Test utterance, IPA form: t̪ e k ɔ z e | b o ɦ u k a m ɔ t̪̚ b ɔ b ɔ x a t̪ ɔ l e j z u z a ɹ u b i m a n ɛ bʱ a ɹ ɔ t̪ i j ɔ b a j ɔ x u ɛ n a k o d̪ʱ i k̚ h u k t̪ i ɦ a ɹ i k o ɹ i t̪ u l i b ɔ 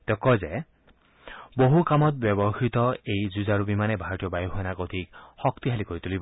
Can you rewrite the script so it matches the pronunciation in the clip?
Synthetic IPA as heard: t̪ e k ɔ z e | b o ɦ u k a m ɔ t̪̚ b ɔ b ɔ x i t̪ ɔ e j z u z a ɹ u b i m a n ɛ bʱ a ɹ ɔ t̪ i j ɔ b a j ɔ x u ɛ n a k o d̪ʱ i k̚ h ɔ k t̪ i ɦ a l i k o ɹ i t̪ u l i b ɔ